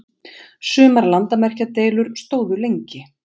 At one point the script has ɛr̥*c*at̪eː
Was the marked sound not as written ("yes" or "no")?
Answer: no